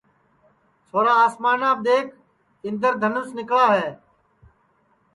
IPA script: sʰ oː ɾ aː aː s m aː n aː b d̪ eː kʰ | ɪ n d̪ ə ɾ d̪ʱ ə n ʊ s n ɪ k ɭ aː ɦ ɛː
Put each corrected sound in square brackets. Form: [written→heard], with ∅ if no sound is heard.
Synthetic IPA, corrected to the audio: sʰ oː ɾ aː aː s m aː n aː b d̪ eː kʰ | ɪ n d̪ ə ɾ d̪ʱ ə n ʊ s n ɪ k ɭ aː ɦ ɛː